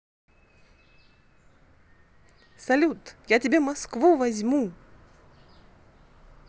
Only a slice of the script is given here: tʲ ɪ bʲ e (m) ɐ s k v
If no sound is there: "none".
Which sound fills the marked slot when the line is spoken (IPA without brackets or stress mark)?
m